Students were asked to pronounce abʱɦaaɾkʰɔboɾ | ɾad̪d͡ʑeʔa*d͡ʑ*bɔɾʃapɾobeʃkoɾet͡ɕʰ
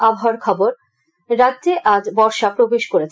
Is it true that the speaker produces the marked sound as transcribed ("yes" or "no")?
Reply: yes